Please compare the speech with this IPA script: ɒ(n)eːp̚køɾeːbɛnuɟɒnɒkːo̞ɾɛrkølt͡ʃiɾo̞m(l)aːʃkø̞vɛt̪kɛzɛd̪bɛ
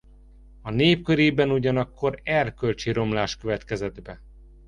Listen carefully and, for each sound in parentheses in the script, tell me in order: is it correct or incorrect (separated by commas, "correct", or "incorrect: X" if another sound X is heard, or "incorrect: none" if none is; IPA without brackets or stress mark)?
correct, correct